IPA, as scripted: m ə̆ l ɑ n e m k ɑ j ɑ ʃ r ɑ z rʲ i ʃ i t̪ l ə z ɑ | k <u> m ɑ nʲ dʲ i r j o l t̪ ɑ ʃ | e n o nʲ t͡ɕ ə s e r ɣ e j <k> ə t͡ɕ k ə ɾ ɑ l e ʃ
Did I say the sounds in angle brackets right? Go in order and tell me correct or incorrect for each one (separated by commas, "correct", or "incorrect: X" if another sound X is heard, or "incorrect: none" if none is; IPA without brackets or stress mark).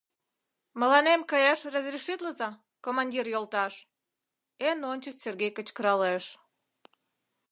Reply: incorrect: o, correct